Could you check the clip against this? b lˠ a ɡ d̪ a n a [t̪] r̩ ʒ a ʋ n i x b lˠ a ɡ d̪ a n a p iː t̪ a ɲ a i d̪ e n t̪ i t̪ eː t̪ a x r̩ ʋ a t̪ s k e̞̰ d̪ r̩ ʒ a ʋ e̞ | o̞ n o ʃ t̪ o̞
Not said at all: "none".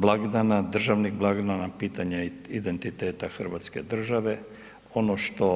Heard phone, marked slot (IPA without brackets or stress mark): d̪